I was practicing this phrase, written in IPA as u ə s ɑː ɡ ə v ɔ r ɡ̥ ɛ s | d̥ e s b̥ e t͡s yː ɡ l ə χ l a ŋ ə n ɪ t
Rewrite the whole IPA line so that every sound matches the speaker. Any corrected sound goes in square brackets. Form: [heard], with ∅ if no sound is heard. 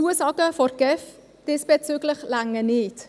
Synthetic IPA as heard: u ə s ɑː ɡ ə [f] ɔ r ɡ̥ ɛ [f] | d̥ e s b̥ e t͡s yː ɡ l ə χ l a ŋ ə n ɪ t